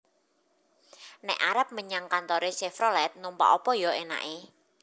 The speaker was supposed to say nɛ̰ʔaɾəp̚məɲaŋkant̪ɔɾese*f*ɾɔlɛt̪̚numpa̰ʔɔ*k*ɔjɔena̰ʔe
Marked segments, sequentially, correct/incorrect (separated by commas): correct, incorrect